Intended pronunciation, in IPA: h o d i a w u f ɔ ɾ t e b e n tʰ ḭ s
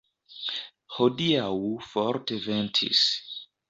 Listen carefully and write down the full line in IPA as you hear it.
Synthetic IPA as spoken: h o d i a w u f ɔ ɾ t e v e n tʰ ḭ s